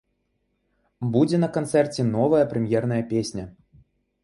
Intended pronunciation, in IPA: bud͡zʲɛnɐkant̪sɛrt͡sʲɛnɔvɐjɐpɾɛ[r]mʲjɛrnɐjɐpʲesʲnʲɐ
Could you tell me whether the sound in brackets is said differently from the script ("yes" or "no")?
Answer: yes